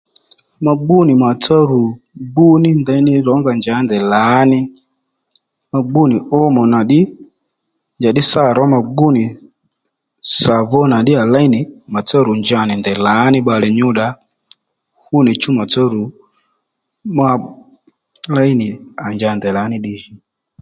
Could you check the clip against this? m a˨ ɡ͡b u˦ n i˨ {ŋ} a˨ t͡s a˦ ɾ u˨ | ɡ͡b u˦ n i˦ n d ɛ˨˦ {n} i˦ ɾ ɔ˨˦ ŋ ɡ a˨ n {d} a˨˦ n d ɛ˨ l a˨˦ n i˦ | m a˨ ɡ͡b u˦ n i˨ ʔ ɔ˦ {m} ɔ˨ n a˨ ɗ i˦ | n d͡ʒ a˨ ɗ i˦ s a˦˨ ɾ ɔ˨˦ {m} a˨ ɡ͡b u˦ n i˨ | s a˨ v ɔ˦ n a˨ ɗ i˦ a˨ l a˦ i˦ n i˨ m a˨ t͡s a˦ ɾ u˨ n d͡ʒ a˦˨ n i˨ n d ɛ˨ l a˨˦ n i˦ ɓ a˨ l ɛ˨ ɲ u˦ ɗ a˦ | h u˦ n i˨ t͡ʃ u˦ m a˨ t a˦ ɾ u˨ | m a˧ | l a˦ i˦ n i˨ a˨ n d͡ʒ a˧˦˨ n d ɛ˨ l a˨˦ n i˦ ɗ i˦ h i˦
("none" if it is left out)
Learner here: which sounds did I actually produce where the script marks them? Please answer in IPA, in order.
m, n, d͡ʒ, m, m

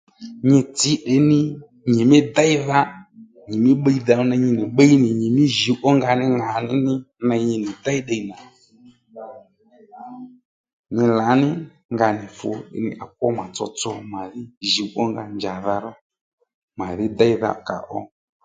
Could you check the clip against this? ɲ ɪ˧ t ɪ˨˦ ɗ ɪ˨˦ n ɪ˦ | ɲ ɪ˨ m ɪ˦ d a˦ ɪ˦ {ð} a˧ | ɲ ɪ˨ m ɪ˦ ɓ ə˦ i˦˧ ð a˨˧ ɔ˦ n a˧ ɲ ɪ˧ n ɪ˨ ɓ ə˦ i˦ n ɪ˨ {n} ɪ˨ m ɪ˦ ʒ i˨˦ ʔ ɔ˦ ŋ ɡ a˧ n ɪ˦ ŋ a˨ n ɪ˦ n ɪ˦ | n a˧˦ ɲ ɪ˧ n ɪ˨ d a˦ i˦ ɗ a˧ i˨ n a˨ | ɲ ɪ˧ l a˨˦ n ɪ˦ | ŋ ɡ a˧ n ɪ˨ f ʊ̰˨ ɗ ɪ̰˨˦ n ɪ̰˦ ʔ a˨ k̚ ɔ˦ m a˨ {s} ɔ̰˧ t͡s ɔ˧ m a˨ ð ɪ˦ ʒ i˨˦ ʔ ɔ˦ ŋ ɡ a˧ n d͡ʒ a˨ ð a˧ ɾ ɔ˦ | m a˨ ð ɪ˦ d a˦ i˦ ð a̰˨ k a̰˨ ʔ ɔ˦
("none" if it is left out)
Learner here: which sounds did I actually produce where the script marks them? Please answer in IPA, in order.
ð, ɲ, t͡s

